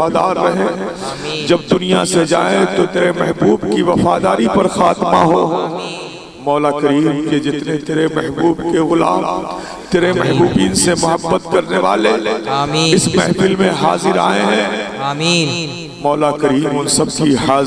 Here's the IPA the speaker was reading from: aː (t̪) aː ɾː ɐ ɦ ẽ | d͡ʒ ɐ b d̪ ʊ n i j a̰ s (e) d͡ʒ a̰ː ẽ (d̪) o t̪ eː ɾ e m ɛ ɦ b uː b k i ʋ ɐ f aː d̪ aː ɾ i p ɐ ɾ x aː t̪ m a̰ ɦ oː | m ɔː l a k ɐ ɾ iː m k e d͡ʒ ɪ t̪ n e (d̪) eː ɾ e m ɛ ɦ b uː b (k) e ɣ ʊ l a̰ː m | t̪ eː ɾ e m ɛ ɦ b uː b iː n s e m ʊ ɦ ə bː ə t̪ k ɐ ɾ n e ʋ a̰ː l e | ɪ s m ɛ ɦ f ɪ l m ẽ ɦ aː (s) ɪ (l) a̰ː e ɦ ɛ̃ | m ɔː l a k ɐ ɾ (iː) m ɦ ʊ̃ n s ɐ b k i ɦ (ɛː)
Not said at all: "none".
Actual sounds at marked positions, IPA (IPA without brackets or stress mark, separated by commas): d̪, e, t̪, t̪, k, z, ɾ, iː, aː